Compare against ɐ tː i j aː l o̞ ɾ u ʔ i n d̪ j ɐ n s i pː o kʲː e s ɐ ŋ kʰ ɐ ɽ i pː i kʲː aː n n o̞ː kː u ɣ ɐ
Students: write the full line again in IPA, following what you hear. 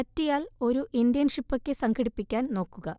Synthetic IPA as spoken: ɐ tː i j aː l o̞ ɾ u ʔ i n d̪ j ɐ n ʂ i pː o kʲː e s ɐ ŋ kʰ ɐ ɽ i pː i kʲː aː n n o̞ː kː u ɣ ɐ